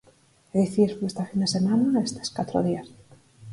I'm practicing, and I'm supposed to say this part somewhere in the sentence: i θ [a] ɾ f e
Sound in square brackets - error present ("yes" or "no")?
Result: yes